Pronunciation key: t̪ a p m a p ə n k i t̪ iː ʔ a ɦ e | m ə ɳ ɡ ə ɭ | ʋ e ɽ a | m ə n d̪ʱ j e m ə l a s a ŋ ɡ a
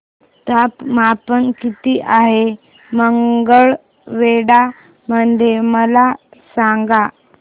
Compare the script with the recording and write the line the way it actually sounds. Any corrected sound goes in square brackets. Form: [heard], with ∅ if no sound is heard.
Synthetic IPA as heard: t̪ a p m a p ə n k i t̪ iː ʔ a ɦ e | m ə [ŋ] ɡ ə ɭ | ʋ e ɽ a | m ə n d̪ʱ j e m ə l a s a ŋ ɡ a